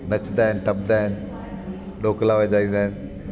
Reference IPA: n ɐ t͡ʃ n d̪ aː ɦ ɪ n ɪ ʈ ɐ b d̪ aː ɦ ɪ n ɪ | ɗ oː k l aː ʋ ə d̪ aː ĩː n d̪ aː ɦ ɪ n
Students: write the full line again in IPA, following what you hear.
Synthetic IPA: n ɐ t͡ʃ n d̪ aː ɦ ɪ n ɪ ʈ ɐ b d̪ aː ɦ ɪ n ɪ | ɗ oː k l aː ʋ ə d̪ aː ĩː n d̪ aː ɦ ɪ n